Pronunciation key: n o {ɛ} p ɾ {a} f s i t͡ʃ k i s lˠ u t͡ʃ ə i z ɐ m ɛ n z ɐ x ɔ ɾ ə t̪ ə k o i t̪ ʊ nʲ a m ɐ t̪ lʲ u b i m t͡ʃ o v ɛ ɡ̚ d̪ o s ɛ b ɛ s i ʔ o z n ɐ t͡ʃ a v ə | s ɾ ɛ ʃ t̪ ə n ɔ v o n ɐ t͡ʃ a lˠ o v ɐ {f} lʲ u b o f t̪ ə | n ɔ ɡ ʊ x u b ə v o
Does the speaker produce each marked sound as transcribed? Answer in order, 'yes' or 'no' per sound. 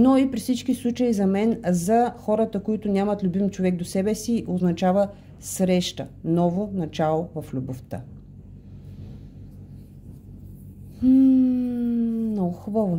no, no, yes

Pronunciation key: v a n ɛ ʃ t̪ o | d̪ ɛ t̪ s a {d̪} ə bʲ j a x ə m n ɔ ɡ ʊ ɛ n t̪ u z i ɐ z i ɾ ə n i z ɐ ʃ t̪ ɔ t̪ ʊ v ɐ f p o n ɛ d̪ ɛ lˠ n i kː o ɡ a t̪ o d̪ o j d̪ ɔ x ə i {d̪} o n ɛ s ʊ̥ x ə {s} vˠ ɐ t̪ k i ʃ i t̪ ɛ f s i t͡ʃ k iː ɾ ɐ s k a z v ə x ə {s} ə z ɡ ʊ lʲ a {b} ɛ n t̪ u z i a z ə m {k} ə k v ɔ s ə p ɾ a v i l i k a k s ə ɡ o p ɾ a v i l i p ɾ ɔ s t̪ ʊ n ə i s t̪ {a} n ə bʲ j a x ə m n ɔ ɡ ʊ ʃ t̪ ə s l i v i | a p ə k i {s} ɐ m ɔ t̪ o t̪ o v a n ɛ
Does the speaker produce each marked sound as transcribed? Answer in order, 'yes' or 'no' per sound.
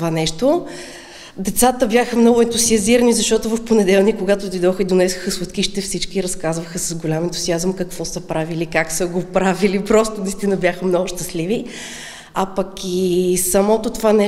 no, yes, yes, yes, no, yes, no, yes

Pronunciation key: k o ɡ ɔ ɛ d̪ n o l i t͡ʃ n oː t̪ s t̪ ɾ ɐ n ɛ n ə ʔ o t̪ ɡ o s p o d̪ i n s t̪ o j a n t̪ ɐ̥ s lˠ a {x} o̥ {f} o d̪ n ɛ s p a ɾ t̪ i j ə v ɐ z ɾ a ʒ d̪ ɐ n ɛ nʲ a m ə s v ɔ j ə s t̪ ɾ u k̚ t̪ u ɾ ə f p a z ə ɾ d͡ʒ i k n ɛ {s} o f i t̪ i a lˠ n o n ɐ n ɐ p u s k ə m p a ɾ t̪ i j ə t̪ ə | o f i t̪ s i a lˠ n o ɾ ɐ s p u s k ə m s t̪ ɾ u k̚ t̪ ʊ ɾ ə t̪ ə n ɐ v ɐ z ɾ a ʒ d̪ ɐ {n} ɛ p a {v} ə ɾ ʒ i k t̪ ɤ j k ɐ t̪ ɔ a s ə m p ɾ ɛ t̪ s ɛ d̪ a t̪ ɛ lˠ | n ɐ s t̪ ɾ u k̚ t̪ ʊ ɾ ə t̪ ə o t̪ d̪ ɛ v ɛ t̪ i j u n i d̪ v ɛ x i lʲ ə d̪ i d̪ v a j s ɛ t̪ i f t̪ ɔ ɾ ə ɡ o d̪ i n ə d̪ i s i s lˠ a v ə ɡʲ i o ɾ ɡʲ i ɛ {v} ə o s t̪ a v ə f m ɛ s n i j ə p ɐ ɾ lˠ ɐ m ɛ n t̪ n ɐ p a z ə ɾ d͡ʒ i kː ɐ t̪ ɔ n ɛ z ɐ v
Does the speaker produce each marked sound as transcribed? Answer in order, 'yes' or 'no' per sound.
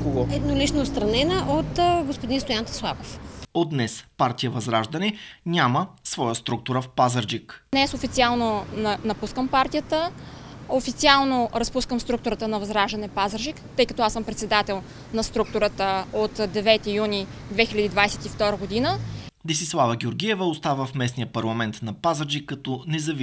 no, yes, yes, yes, no, yes

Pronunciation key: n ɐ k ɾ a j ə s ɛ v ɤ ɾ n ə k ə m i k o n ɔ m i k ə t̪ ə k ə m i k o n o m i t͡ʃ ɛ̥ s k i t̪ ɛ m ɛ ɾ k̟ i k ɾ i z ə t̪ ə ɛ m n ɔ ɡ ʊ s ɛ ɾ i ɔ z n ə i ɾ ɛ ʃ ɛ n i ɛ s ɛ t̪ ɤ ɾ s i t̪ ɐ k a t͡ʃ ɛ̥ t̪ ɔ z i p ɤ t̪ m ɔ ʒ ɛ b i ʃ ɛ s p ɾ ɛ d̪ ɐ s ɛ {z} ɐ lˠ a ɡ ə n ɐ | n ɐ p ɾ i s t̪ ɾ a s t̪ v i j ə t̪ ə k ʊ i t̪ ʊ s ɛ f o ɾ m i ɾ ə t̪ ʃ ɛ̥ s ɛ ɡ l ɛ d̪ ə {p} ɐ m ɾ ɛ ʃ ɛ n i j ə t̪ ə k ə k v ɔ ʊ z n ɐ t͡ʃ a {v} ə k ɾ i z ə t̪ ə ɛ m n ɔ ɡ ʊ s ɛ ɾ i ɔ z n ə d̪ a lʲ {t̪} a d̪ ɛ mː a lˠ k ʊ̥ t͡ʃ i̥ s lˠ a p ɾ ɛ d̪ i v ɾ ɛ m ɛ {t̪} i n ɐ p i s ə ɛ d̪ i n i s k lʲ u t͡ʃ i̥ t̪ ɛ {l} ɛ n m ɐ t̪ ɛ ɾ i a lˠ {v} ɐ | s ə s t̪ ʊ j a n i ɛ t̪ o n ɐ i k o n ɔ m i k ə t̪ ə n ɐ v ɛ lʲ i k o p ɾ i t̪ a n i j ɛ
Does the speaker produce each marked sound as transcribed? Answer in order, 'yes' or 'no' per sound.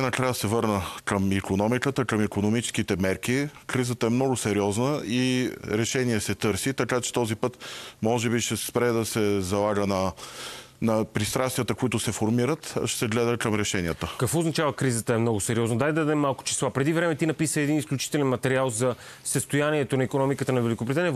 yes, no, yes, no, yes, yes, no

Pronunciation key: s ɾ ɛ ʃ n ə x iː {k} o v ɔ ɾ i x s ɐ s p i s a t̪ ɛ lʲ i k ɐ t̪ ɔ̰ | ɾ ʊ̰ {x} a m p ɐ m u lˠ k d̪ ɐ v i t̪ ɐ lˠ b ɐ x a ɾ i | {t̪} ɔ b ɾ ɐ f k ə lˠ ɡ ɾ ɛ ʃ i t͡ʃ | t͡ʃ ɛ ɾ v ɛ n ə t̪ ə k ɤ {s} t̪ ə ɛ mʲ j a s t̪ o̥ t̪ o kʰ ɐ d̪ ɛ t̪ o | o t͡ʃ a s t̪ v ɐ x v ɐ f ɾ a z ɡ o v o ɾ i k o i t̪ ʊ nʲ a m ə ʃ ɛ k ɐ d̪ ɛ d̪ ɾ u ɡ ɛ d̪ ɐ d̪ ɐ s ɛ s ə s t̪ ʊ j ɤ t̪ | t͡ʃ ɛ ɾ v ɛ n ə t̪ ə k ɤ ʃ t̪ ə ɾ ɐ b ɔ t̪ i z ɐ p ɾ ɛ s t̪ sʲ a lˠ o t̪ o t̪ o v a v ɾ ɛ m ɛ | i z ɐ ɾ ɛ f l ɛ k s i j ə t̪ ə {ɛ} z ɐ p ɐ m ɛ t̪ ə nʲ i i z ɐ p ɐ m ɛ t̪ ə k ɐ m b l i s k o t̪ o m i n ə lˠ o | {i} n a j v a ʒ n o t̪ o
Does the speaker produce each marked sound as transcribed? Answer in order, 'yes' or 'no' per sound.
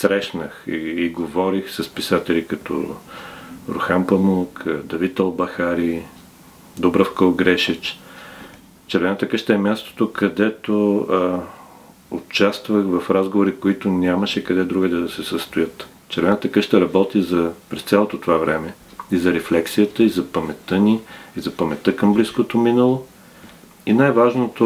no, yes, no, no, no, yes

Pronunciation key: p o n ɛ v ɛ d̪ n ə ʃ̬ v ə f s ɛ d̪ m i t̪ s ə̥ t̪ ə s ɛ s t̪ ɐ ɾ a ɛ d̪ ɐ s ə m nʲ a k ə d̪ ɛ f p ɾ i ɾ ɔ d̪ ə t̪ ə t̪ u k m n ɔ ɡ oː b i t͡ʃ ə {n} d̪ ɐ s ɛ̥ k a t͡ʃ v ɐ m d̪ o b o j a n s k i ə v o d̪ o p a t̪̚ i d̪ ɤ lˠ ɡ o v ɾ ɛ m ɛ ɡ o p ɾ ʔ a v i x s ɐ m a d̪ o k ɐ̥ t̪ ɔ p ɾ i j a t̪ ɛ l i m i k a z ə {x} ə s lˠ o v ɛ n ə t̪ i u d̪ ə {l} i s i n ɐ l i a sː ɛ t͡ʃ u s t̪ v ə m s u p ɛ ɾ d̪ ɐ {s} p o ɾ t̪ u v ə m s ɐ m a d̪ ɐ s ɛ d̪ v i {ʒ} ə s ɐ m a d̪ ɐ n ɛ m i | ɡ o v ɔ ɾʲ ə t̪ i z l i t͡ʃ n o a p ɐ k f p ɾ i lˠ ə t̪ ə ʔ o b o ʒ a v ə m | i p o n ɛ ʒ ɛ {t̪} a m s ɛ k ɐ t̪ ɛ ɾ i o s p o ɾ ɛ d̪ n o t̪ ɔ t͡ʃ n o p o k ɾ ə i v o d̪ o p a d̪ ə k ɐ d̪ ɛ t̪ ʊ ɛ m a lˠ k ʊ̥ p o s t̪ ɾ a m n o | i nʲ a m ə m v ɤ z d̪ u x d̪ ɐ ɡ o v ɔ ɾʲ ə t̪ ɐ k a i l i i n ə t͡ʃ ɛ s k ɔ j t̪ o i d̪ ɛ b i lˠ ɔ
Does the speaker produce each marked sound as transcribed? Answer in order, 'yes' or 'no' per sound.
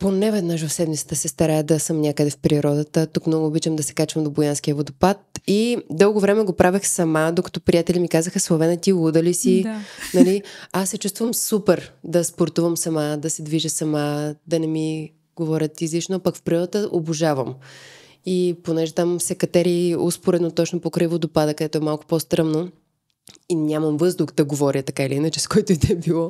no, yes, yes, yes, yes, yes

